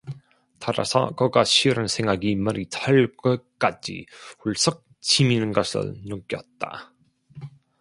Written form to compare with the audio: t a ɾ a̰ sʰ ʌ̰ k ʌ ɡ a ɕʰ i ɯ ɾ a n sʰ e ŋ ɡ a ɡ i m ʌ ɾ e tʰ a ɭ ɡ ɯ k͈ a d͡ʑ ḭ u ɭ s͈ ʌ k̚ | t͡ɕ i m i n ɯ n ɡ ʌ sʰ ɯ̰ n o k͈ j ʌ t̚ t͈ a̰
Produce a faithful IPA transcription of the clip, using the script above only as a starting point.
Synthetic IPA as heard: t a ɾ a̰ sʰ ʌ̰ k ʌ ɡ a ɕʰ i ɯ ɾ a n sʰ e ŋ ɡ a ɡ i m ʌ ɾ i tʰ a ɭ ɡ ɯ k͈ a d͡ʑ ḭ u ɭ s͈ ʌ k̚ | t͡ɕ i m i n ɯ n ɡ ʌ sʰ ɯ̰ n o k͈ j ʌ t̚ t͈ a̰

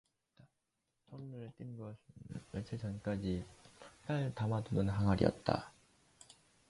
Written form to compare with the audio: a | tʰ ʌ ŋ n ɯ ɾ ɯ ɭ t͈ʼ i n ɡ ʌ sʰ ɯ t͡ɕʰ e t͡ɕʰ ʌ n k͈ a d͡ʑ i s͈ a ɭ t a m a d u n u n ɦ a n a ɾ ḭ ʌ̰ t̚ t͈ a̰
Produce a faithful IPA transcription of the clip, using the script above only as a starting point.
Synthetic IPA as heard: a | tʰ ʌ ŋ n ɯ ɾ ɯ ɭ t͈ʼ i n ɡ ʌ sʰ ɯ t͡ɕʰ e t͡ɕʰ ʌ n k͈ a d͡ʑ i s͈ a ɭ t a m a d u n ɯ n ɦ a ŋ a ɾ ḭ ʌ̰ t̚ t͈ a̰

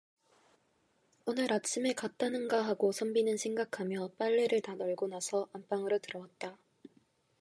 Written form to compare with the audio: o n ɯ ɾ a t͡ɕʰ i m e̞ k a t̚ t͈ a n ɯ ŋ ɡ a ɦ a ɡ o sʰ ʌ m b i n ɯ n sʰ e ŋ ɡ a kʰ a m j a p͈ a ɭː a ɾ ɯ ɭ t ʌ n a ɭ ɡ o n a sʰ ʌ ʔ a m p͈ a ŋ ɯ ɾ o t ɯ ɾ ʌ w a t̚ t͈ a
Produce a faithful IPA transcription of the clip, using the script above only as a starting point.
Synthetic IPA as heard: o n ɯ ɾ a t͡ɕʰ i m e̞ k a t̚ t͈ a n ɯ n ɡ a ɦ a ɡ o sʰ ʌ m b i n ɯ n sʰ e ŋ ɡ a kʰ a m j ʌ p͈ a ɭː e ɾ ɯ ɭ t a n ʌ ɭ ɡ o n a sʰ ʌ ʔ a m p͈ a ŋ ɯ ɾ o t ɯ ɾ ʌ w a t̚ t͈ a

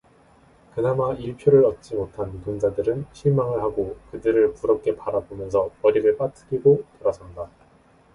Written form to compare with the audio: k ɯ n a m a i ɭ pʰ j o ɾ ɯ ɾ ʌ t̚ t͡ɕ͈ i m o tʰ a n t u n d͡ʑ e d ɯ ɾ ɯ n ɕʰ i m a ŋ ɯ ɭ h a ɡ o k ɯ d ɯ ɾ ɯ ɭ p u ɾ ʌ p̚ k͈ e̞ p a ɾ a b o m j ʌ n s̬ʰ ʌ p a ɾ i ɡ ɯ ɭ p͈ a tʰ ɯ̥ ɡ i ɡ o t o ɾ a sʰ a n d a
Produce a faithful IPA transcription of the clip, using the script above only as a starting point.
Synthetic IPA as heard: k ɯ n a m a i ɭ pʰ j o ɾ ɯ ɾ ʌ t̚ t͡ɕ͈ i m o tʰ a n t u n d͡ʑ a d ɯ ɾ ɯ n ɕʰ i m a ŋ ɯ ɭ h a ɡ o k ɯ d ɯ ɾ ɯ ɭ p u ɾ ʌ p̚ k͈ e̞ p a ɾ a b o m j ʌ n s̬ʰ ʌ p ʌ ɾ i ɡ ɯ ɭ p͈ a tʰ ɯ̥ ɡ i ɡ o t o ɾ a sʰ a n d a

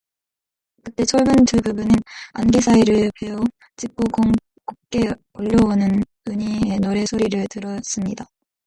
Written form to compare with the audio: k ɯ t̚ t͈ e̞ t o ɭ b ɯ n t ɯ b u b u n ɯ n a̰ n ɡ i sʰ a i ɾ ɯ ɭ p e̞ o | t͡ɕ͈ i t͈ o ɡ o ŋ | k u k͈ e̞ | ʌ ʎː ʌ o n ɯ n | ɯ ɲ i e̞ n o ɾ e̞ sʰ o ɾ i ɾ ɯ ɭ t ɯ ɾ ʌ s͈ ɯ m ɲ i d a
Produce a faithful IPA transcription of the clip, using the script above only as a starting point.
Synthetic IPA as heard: k ɯ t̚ t͈ e̞ t͡ɕʰ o ɭ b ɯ n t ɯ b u b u n ɯ n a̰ n ɡ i sʰ a i ɾ ɯ ɭ p e̞ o | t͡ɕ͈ i k͈ o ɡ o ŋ | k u k͈ e̞ | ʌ ʎː ʌ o n ɯ n | ɯ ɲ i e̞ n o ɾ e̞ sʰ o ɾ i ɾ ɯ ɭ t ɯ ɾ ʌ s͈ ɯ m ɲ i d a

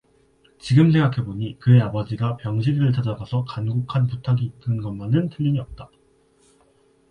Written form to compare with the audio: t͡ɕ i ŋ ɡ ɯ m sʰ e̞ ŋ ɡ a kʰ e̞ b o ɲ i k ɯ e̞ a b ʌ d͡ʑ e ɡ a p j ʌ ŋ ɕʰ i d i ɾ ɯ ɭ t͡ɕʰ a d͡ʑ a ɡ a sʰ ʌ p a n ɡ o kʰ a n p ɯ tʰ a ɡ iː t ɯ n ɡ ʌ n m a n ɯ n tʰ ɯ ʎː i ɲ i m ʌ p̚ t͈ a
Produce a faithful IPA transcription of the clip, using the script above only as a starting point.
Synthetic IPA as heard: t͡ɕ i ɡ ɯ m sʰ e̞ ŋ ɡ a kʰ e̞ b o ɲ i k ɯ e̞ a b ʌ d͡ʑ i ɡ a p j ʌ ŋ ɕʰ i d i ɾ ɯ ɭ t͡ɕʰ a d͡ʑ a ɡ a sʰ ʌ k a n ɡ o kʰ a n p u tʰ a ɡ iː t ɯ n ɡ ʌ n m a n ɯ n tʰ ɯ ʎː i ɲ i ʌ p̚ t͈ a

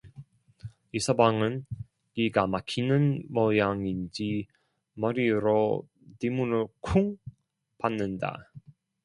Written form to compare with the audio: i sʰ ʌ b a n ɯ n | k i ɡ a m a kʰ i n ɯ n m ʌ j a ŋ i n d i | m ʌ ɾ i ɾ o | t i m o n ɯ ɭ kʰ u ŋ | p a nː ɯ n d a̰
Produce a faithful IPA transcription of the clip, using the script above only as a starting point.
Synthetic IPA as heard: i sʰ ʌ b a ŋ ɯ n | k i ɡ a m a kʰ i n ɯ n m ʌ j a ŋ i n d͡ʑ i | m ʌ ɾ i ɾ o | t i m u n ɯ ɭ kʰ u ŋ | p a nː ɯ n d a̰

